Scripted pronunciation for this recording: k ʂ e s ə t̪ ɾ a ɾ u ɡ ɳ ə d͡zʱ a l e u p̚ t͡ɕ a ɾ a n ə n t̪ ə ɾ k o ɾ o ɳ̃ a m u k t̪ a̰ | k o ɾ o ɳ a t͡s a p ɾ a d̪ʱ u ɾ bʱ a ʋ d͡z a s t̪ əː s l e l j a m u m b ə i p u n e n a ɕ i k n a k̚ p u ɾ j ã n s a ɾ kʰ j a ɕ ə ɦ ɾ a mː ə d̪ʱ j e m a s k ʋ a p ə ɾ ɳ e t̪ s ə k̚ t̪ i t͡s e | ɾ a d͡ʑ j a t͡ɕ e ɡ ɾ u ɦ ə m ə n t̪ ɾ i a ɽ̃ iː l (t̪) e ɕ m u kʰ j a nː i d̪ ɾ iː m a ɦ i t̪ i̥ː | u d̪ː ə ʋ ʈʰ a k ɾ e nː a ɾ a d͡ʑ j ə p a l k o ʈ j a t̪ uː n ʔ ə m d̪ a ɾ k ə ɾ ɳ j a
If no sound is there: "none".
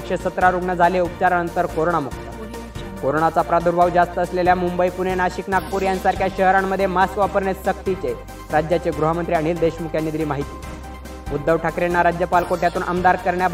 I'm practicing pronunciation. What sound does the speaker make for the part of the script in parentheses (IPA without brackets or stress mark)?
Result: d̪